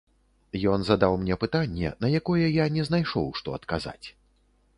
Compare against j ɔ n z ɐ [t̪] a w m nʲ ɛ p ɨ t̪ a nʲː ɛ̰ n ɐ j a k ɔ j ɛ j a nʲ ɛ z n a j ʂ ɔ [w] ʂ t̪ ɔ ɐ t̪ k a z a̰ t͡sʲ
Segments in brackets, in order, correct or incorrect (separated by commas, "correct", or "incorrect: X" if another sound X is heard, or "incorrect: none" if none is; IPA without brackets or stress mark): incorrect: d̪, correct